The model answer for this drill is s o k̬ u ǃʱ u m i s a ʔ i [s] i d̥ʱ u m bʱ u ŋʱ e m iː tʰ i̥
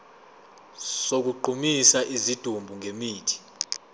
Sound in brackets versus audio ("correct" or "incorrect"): incorrect